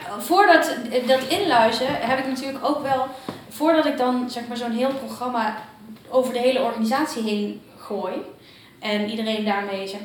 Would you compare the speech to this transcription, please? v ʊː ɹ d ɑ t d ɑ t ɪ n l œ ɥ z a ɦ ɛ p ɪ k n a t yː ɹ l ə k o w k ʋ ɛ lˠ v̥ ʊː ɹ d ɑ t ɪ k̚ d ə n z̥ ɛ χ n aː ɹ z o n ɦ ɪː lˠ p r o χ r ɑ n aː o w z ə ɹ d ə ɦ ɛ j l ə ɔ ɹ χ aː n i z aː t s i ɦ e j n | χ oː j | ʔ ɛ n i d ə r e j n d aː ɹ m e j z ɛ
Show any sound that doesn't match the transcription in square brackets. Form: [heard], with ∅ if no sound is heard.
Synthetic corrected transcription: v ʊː ɹ d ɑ t d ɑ t ɪ n l œ ɥ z [ə] ɦ ɛ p ɪ k n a t yː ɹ l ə k o w k ʋ ɛ lˠ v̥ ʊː ɹ d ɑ t ɪ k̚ d [ɑ] n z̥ ɛ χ [m] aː ɹ z o n ɦ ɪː lˠ p r o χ r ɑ [m] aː o w [v] ə ɹ d ə ɦ [e] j l ə ɔ ɹ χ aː n i z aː t s i ɦ e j n | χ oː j | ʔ ɛ n i d ə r e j n d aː ɹ m e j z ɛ